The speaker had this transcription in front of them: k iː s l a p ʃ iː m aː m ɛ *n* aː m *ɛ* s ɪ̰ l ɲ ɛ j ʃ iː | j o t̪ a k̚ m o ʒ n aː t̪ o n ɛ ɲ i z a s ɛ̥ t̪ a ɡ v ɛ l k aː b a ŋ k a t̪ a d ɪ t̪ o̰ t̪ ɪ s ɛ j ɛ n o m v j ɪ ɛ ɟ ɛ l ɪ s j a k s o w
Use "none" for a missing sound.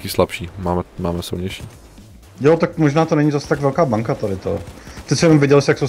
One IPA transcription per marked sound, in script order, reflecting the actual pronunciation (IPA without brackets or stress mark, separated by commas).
m, ɛ